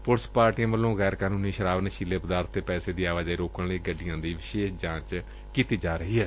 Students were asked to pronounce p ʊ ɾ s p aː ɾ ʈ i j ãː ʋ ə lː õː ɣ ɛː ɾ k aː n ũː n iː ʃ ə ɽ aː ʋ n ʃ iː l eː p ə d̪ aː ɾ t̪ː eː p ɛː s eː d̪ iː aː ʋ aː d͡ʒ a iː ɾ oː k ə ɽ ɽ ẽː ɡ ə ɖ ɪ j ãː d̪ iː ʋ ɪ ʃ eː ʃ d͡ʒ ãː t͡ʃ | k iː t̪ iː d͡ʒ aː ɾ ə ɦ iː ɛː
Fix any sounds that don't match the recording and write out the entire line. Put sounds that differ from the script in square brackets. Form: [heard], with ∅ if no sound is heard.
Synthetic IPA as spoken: p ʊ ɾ s p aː ɾ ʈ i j ãː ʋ ə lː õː ɣ ɛː ɾ k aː n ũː n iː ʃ ə [ɾ] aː ʋ n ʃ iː l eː p ə d̪ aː ɾ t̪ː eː p ɛː s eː d̪ iː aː ʋ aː d͡ʒ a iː ɾ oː k ə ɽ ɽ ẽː ɡ ə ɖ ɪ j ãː d̪ iː ʋ ɪ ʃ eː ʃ d͡ʒ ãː t͡ʃ | k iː t̪ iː d͡ʒ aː ɾ ə ɦ iː ɛː